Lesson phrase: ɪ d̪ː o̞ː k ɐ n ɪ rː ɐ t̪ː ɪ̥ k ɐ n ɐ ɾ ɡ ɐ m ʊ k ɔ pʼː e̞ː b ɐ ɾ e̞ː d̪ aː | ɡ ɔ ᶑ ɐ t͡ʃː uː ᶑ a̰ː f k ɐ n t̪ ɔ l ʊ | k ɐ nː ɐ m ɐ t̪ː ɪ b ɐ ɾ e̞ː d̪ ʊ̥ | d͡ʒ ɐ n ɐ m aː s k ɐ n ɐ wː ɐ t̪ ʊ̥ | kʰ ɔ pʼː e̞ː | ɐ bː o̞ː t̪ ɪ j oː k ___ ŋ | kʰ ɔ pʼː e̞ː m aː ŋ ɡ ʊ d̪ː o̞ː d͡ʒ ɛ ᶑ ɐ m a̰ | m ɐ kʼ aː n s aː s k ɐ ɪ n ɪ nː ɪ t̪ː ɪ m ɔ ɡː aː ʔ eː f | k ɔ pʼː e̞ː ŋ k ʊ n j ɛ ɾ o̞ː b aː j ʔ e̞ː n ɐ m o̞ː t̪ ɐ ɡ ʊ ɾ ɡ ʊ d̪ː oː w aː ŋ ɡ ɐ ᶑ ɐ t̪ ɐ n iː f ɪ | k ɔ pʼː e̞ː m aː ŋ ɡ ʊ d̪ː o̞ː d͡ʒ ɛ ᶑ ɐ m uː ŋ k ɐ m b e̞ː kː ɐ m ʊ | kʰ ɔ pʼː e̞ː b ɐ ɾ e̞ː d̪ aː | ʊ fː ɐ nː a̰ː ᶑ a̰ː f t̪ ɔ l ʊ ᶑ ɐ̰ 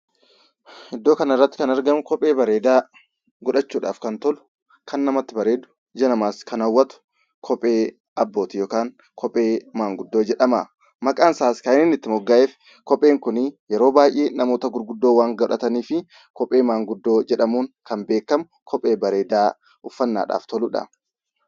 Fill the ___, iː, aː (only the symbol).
aː